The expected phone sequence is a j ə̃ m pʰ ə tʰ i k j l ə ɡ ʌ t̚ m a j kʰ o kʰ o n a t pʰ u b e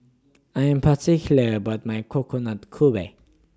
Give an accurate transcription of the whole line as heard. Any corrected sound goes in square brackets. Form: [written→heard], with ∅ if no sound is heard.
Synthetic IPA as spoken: a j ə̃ m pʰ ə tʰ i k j l ə [ɡ→b] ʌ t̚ m a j kʰ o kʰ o n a t [pʰ→kʰ] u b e